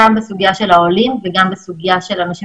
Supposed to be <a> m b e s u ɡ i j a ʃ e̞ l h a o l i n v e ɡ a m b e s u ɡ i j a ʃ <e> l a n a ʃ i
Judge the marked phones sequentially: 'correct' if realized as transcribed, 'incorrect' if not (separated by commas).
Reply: correct, correct